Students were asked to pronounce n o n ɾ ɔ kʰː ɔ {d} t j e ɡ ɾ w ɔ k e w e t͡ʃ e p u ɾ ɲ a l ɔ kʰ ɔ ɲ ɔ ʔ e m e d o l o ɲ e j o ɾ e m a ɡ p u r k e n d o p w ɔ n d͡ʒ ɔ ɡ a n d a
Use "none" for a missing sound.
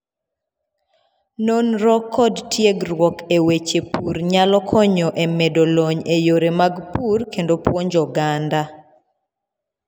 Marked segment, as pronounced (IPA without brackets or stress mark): d